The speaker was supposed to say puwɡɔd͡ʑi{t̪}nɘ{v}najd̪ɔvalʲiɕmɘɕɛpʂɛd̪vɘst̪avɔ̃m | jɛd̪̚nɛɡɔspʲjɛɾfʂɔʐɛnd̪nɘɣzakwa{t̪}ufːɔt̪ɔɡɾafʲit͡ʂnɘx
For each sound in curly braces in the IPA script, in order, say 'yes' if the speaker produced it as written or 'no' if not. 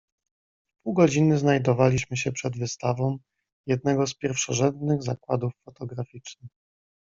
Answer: no, no, no

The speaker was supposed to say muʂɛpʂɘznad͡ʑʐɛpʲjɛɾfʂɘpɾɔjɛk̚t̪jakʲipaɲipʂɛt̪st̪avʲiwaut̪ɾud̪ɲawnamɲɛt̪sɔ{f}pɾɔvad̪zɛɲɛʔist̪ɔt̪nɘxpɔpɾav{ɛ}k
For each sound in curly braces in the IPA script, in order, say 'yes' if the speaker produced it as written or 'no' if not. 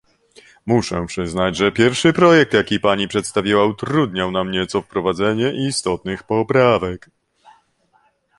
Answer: yes, yes

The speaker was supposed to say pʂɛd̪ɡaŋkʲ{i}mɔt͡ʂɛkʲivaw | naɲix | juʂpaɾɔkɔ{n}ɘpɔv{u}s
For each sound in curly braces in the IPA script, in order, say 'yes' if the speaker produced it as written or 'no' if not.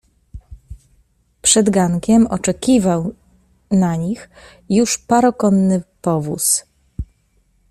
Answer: no, no, yes

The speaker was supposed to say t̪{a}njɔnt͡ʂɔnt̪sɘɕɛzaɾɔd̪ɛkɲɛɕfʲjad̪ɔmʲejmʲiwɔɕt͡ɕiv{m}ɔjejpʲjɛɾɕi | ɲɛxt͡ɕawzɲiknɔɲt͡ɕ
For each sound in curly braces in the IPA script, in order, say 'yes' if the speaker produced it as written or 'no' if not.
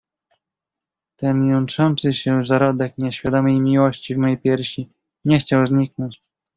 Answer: no, yes

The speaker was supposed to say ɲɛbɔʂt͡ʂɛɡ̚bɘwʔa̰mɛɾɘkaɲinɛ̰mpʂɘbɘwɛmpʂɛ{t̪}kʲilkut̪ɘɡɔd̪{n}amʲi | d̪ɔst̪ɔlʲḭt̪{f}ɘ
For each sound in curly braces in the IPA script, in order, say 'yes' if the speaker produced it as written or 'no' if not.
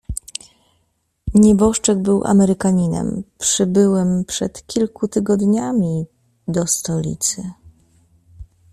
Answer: yes, no, no

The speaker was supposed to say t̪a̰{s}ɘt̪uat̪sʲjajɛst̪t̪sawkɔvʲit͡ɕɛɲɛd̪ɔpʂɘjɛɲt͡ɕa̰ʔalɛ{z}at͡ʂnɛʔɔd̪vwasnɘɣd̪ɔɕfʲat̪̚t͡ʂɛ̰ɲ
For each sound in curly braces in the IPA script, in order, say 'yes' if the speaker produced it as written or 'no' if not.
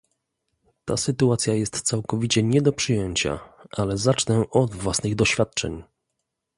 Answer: yes, yes

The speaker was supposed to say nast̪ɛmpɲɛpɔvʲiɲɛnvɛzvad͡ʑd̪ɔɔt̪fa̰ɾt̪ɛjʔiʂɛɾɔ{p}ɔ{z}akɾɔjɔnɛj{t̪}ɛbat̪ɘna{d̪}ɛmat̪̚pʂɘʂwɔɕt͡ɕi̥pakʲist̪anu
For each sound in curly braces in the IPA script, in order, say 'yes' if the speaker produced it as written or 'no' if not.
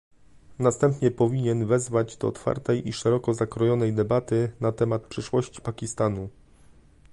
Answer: no, yes, no, no

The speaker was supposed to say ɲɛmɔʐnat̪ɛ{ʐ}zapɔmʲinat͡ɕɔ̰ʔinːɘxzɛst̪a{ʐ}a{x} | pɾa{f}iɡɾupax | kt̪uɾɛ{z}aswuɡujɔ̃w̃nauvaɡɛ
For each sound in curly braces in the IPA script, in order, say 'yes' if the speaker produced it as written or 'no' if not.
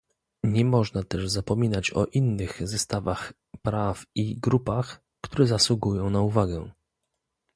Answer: yes, no, yes, yes, yes

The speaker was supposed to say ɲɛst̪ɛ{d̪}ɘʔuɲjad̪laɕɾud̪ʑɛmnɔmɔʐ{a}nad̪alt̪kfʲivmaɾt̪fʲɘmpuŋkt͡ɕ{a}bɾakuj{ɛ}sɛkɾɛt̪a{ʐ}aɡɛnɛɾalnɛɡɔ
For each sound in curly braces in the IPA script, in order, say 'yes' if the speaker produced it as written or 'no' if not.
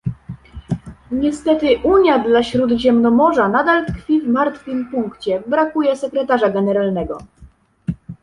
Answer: no, yes, no, yes, yes

